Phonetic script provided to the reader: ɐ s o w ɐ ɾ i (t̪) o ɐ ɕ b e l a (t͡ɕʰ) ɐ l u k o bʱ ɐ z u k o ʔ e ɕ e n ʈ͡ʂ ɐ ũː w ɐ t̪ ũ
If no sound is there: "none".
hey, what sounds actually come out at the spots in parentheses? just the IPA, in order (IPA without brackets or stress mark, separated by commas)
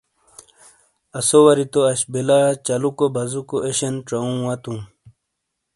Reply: t̪, t͡ɕ